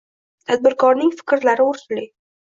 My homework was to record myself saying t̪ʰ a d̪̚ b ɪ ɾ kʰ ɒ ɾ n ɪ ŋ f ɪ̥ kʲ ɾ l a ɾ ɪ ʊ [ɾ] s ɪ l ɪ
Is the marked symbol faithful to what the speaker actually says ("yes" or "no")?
yes